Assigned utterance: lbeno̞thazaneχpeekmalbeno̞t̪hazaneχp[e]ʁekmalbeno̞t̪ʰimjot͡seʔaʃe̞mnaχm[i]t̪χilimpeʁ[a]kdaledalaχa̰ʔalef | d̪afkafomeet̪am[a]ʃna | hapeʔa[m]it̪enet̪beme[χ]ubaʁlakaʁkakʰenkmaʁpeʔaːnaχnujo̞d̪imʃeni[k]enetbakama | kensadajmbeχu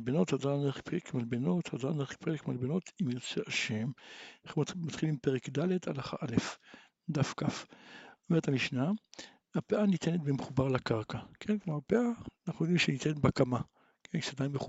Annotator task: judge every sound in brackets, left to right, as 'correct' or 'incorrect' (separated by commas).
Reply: correct, incorrect, incorrect, incorrect, incorrect, correct, incorrect